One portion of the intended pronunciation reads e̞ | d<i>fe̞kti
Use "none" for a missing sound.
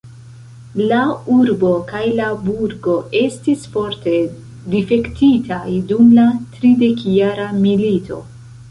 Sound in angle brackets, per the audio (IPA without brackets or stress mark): i